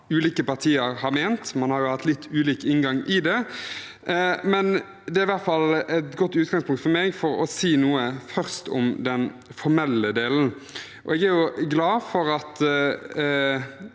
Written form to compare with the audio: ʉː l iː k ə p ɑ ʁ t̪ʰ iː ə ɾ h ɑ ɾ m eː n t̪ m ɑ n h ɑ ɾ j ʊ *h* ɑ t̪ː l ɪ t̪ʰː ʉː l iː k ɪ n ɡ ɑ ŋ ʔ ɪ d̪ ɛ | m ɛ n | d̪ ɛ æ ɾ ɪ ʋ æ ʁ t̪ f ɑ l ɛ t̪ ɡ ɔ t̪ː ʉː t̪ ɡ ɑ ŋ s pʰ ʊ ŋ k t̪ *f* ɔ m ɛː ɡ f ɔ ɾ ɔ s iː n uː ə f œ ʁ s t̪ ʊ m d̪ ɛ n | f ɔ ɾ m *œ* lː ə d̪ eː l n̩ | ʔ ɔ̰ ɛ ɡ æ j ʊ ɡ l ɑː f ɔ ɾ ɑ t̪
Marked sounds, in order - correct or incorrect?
correct, correct, incorrect: ɛ

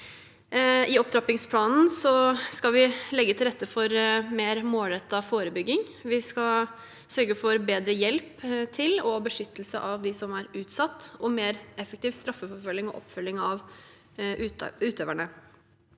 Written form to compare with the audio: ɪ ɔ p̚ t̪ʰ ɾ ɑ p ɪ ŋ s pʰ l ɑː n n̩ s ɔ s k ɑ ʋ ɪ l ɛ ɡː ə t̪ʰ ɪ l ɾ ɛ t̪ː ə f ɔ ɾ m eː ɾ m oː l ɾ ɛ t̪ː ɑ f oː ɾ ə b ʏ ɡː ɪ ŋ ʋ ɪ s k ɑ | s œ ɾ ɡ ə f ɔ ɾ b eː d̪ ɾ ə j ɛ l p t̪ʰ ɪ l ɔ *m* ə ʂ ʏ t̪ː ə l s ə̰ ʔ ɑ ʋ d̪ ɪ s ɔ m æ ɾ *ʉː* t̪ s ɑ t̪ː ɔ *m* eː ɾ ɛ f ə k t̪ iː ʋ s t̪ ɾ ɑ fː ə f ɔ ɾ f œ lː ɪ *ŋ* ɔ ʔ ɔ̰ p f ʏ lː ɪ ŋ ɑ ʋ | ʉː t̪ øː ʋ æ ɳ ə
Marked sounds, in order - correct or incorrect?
incorrect: b, correct, correct, correct

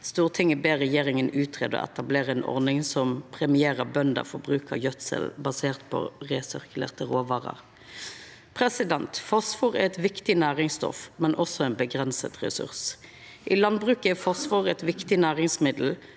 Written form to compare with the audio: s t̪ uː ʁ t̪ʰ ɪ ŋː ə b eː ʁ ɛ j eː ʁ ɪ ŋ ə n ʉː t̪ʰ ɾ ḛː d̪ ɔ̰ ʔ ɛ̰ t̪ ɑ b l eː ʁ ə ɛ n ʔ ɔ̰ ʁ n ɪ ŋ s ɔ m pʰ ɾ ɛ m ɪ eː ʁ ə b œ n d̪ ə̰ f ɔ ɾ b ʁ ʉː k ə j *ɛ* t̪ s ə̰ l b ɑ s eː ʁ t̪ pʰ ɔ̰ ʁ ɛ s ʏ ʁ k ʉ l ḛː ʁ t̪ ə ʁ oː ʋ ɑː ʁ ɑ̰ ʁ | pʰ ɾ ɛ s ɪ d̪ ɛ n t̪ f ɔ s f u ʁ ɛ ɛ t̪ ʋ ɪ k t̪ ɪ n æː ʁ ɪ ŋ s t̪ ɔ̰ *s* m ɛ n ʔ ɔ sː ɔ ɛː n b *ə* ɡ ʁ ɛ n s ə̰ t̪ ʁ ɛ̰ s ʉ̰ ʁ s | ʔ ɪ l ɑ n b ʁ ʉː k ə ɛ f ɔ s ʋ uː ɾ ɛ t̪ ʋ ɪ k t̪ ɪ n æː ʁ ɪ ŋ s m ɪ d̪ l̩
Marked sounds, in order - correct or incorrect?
incorrect: œ, incorrect: f, correct

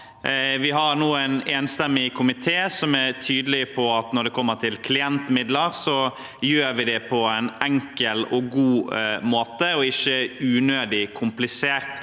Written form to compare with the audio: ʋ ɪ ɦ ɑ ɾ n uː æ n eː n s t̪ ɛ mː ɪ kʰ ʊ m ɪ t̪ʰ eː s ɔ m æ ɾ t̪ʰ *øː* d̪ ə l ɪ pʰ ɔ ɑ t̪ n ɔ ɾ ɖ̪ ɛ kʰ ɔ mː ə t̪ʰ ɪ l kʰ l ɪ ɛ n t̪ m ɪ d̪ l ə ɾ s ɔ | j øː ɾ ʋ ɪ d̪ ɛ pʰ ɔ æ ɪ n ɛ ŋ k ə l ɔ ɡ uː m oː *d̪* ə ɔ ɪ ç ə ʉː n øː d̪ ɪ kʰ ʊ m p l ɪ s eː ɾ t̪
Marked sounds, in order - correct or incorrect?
incorrect: yː, incorrect: t̪

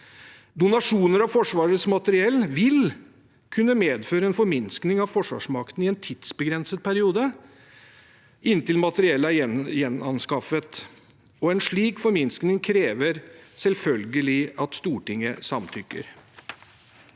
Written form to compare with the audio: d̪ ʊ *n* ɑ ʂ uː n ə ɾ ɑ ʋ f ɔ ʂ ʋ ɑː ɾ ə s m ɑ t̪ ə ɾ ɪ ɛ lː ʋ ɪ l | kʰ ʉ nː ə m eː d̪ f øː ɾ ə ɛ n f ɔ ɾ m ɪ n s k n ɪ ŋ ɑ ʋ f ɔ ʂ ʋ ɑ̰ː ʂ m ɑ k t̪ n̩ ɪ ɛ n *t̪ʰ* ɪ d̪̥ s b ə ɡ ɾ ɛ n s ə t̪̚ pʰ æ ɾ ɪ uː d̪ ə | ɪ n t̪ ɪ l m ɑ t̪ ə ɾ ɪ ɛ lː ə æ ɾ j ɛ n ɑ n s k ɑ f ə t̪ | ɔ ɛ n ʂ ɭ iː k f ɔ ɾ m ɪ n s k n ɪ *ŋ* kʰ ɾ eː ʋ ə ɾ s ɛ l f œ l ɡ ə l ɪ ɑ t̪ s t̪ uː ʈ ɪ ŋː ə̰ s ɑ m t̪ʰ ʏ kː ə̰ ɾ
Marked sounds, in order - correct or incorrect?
correct, correct, correct

